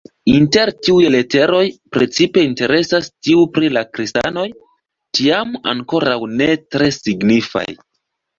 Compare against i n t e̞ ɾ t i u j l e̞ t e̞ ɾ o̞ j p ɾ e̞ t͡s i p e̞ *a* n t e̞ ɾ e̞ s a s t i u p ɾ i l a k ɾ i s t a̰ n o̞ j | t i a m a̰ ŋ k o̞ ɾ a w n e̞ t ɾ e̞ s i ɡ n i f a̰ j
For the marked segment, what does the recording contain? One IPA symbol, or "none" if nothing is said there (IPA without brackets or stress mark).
i